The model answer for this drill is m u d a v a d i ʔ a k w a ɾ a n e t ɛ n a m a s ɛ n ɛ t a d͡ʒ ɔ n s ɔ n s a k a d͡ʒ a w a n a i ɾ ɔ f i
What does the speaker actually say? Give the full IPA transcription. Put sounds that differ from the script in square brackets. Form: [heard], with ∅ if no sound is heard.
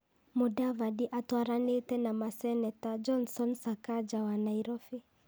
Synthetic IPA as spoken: m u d a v a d i ʔ a [t] w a ɾ a n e t ɛ n a m a s ɛ n ɛ t a d͡ʒ ɔ n s ɔ n s a k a d͡ʒ a w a n a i ɾ ɔ f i